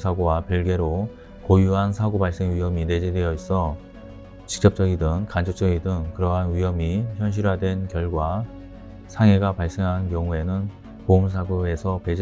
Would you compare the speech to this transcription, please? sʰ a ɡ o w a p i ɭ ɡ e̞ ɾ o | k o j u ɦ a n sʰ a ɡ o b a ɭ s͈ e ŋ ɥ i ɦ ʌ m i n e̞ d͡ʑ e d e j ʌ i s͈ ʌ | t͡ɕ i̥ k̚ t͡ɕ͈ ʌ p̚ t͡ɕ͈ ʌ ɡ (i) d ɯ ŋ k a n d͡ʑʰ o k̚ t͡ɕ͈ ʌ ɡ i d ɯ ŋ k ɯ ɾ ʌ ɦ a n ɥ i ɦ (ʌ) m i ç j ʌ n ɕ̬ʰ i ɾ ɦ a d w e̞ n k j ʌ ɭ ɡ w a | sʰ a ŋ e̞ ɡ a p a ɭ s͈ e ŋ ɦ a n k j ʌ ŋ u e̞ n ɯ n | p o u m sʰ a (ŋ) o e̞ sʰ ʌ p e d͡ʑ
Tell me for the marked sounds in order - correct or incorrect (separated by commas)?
correct, correct, incorrect